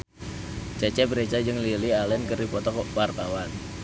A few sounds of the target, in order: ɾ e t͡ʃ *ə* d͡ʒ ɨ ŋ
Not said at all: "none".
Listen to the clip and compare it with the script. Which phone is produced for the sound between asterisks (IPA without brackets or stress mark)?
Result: a